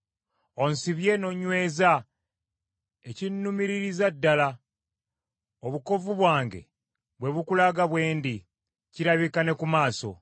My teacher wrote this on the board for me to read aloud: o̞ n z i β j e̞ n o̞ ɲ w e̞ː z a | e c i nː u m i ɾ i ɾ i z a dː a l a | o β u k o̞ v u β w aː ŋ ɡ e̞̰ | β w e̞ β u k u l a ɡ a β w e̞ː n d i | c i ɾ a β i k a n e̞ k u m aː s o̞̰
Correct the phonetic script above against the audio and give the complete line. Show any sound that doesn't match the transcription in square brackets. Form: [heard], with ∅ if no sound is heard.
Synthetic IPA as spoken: o̞ n [s] i β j e̞ n o̞ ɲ w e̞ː z a | e c i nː u m i ɾ i ɾ i z a dː a l a | o β u k o̞ v u β w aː ŋ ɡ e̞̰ | β w e̞ β u k u l a ɡ a β w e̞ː n d i | c i ɾ a β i k a n e̞ k u m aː s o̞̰